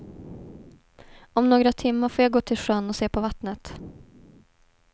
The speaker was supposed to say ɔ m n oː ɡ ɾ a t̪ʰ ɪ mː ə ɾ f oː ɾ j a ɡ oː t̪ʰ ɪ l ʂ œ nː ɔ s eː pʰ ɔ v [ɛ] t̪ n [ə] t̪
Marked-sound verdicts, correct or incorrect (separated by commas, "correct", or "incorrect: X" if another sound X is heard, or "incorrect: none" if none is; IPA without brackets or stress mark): incorrect: a, correct